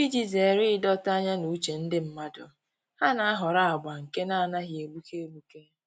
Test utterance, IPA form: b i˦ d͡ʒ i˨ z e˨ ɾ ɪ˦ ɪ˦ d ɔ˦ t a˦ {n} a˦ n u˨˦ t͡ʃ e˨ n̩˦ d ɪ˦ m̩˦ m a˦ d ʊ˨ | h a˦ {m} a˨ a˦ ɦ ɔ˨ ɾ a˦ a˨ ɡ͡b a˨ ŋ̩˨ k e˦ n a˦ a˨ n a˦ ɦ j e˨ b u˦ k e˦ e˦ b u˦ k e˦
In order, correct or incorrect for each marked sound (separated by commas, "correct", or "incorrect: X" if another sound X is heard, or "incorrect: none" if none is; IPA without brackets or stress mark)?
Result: incorrect: ɲ, incorrect: n